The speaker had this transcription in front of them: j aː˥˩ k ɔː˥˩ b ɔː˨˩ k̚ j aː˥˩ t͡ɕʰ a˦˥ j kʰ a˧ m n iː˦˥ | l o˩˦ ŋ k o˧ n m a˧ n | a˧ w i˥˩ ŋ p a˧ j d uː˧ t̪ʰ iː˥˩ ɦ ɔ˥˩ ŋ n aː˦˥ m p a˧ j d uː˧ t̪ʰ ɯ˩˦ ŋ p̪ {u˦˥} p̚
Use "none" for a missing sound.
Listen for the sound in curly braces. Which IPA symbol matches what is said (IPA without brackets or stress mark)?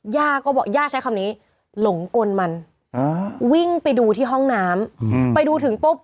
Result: o˦˥